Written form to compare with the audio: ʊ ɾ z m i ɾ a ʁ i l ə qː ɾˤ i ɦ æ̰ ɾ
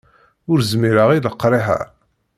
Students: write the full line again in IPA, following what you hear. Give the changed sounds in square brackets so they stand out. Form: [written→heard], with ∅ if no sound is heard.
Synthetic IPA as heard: ʊ ɾ z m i ɾ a ʁ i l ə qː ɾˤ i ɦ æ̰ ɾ